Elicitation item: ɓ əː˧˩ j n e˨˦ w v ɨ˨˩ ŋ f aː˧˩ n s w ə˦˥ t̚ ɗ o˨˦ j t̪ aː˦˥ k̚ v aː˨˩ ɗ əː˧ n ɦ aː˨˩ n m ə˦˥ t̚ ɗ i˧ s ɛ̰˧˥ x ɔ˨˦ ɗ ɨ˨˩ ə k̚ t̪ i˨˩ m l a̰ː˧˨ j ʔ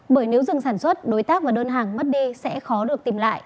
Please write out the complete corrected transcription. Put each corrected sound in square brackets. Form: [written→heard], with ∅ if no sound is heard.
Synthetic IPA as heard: ɓ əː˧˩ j n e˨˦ w [v→z] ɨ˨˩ ŋ [f→s] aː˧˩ n s w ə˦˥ t̚ ɗ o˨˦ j t̪ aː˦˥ k̚ v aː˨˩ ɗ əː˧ n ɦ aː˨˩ [n→ŋ] m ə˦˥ t̚ ɗ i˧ s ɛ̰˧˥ x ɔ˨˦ ɗ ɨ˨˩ ə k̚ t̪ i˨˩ m l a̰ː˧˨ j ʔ